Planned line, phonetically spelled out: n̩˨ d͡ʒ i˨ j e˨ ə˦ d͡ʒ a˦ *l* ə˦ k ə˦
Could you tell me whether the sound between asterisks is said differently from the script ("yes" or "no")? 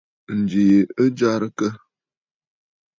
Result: yes